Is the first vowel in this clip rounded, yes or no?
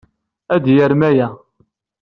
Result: no